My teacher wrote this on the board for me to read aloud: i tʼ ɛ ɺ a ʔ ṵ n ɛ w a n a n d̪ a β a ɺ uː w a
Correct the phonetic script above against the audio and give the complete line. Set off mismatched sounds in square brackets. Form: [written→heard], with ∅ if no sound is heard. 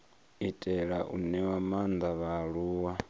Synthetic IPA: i tʼ ɛ ɺ a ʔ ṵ n ɛ w a [n→m] a n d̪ a β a ɺ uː w a